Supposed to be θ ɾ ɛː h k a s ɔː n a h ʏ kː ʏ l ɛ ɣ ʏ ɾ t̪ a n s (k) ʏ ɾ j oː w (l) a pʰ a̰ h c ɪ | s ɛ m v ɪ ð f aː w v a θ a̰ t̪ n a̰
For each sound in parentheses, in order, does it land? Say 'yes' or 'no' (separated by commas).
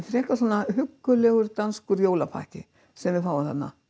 yes, yes